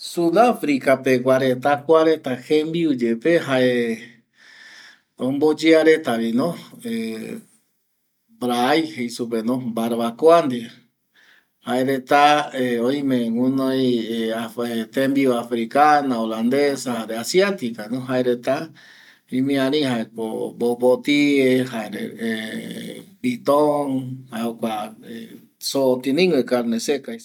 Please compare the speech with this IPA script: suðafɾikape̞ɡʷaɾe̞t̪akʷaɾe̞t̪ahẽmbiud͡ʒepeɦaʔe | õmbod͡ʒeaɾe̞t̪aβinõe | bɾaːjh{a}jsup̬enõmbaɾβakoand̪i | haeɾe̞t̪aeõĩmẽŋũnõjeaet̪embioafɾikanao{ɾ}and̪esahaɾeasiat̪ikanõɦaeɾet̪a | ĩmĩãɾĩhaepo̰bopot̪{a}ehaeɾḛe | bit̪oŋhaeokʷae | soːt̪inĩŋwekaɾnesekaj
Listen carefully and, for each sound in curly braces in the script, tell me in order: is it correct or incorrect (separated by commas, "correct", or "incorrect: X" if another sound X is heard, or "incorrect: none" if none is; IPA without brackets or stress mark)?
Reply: incorrect: e, incorrect: l, incorrect: i